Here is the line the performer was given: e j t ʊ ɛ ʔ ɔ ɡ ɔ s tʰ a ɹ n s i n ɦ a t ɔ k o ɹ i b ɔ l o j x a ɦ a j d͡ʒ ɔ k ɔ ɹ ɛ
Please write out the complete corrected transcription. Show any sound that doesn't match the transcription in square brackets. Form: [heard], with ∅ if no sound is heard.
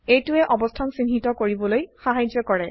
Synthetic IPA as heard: e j t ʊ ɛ ʔ ɔ [b] ɔ s tʰ a [∅] n s i n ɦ [i] t ɔ k o ɹ i b ɔ l o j x a ɦ a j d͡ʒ ɔ k ɔ ɹ ɛ